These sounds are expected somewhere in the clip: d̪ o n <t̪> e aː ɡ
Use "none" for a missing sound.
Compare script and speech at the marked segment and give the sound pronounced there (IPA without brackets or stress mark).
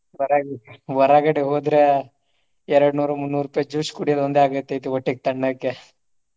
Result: d̪